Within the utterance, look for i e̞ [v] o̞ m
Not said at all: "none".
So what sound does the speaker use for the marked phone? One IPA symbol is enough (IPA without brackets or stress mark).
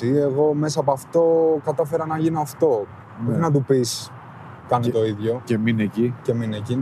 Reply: ɣ